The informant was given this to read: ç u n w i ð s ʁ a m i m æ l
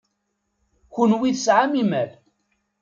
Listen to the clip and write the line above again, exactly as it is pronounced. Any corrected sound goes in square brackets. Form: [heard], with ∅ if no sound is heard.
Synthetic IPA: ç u n w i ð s [ʕ] a m i m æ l

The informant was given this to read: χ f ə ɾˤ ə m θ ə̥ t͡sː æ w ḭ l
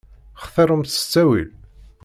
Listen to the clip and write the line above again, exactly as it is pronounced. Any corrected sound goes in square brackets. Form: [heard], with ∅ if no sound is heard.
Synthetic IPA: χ [θ] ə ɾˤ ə m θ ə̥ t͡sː æ w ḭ l

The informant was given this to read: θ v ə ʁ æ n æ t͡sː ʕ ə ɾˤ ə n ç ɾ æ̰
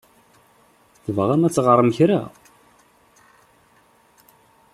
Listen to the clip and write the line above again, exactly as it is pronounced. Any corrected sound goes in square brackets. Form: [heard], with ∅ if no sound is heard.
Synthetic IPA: θ v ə ʁ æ [m] æ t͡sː [ʁ] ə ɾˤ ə [m] ç ɾ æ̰

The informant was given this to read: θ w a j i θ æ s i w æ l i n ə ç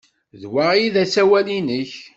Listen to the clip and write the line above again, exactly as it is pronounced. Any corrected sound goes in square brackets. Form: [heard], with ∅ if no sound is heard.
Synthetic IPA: [ð] w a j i [ð] æ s [æ] w æ l i n ə ç

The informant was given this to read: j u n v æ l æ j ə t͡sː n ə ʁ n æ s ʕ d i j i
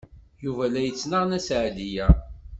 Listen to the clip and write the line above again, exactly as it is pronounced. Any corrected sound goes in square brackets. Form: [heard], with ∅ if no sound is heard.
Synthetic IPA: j u [∅] v æ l æ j ə t͡sː n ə ʁ n æ s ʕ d i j [æ]

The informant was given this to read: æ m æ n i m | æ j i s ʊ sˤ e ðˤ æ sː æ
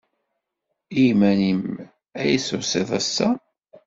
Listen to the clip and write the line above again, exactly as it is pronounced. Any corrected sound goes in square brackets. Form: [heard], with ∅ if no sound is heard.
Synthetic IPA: [i] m æ n i m | æ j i s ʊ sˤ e ðˤ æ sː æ

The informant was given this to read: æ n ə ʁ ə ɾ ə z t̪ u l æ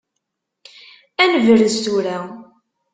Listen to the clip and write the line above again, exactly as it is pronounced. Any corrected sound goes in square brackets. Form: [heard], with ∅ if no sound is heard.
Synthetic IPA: æ n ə [v] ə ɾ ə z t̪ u [ɾ] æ

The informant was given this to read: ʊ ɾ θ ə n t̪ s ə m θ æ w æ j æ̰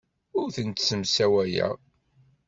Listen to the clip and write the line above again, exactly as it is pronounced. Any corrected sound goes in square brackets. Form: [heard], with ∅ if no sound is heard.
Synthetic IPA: ʊ ɾ θ ə n t̪ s ə m [s] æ w æ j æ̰

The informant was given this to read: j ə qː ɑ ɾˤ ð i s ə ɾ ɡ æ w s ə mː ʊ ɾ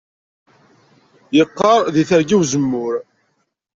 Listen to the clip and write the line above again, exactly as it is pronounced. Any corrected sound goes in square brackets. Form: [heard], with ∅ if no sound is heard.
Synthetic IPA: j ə qː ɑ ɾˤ ð i [θ] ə ɾ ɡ [i] w [z] ə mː ʊ ɾ

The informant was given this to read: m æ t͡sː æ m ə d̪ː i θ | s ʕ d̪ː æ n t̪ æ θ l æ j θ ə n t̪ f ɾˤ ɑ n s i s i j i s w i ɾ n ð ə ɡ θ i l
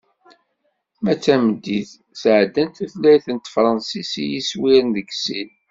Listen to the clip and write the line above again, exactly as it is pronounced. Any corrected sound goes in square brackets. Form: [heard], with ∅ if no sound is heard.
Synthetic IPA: m æ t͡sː æ m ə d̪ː i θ | s ʕ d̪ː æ n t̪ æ θ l æ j θ ə n t̪ f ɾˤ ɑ n s i s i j i s w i ɾ n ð ə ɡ [s] i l

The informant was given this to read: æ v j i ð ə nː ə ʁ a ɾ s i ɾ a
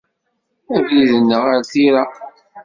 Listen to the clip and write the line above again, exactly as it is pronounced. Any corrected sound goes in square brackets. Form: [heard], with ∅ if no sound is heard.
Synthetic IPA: æ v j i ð ə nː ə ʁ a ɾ [θ] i ɾ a

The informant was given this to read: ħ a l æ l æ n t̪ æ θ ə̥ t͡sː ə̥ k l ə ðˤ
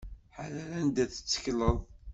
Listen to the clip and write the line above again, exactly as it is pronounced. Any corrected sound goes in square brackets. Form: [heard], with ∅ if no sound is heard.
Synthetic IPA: ħ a l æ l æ n [d̪] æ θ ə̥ t͡sː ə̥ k l ə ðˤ

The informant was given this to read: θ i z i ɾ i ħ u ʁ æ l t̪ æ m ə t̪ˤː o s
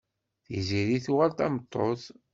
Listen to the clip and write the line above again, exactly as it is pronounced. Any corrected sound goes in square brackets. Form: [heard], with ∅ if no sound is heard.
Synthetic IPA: θ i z i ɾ i [θ] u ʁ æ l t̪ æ m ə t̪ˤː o [θ]

